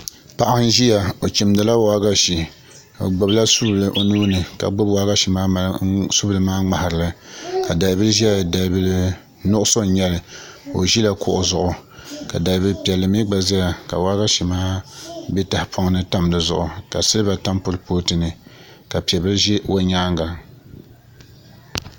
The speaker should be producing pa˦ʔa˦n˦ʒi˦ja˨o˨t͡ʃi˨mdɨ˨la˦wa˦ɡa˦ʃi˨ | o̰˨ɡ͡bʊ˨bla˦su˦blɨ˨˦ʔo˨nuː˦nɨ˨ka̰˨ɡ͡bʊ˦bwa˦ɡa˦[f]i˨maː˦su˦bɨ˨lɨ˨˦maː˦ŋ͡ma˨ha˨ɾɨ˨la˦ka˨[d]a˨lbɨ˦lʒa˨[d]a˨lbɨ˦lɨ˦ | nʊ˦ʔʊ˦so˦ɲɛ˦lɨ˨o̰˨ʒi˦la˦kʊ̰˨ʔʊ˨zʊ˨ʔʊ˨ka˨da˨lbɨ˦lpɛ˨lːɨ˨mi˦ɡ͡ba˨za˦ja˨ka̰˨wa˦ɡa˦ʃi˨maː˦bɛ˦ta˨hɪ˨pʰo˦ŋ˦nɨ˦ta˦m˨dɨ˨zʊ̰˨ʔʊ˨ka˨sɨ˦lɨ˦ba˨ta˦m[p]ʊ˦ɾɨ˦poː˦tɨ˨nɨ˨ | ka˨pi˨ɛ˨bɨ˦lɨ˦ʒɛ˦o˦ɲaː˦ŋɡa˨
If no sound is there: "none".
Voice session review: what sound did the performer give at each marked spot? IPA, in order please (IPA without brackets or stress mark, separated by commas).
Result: ʃ, d, d, p